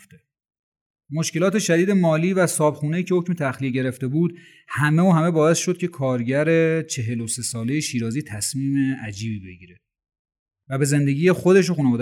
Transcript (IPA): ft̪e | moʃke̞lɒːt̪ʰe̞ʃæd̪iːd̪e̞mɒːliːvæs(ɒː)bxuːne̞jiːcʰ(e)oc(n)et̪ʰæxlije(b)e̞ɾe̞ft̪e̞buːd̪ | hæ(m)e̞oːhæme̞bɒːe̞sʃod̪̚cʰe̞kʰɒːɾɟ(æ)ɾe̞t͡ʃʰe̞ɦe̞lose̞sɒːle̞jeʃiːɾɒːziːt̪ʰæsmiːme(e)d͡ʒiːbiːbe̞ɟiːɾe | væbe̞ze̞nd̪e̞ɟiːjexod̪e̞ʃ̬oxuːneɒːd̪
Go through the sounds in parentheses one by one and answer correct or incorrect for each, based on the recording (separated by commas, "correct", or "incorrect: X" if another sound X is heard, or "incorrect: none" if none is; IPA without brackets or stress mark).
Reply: correct, correct, incorrect: m, incorrect: ɟ, correct, correct, incorrect: æ